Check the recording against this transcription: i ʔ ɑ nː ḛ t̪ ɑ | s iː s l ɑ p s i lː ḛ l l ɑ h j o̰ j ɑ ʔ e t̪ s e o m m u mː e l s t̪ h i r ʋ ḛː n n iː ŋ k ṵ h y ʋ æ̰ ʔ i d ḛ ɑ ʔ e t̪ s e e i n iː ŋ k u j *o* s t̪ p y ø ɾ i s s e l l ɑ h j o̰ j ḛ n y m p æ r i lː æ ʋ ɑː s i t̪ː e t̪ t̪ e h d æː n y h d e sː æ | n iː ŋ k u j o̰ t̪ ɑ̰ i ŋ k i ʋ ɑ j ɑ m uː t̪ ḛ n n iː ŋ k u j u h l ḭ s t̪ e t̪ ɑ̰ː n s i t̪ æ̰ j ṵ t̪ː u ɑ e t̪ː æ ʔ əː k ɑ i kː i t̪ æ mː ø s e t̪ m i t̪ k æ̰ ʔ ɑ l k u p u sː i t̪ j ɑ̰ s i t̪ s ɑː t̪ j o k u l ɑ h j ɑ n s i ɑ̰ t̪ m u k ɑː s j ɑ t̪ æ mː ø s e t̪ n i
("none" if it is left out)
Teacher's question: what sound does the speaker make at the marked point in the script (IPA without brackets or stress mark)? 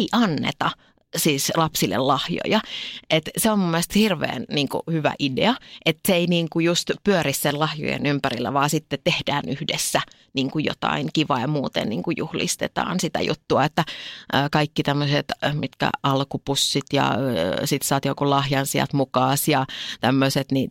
u